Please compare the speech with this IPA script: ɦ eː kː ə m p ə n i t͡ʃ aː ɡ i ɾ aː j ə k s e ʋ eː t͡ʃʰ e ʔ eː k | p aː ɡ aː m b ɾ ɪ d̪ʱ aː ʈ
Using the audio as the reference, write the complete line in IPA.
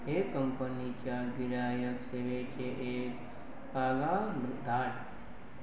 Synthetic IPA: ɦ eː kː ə m p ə n i t͡ʃ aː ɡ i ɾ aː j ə k s e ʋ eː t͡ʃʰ e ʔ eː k | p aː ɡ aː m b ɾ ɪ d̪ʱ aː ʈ